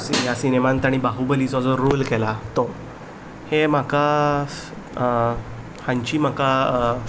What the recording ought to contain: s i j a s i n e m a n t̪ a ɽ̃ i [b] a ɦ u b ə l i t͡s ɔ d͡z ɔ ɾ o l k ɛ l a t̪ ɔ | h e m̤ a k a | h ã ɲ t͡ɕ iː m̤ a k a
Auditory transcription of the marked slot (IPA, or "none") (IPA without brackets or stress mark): b